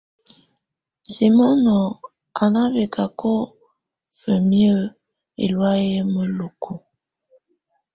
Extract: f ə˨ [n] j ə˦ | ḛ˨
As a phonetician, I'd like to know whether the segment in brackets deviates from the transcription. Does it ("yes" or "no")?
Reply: yes